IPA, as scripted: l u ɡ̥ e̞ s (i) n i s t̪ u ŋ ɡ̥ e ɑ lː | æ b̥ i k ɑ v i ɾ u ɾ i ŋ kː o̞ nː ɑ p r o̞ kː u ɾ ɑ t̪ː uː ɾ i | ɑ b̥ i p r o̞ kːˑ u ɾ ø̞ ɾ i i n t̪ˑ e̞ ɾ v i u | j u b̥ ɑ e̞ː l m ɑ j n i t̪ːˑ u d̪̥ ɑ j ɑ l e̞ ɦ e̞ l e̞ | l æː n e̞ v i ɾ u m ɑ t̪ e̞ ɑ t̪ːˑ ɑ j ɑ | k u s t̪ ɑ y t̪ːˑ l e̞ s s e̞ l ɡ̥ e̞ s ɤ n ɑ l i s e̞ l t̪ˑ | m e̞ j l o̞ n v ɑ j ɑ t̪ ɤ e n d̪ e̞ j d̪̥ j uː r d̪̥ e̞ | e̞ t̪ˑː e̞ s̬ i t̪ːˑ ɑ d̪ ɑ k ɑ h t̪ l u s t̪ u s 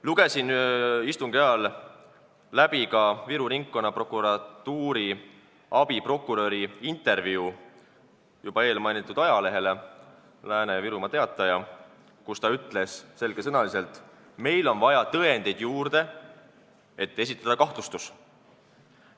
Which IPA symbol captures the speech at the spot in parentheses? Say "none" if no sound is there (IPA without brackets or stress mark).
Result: i